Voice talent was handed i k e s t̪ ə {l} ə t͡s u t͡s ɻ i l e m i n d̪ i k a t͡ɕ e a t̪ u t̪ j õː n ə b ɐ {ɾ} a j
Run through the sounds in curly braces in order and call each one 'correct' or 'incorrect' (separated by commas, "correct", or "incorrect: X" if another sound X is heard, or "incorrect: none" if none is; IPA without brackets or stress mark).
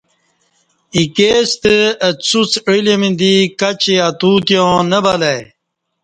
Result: incorrect: none, incorrect: l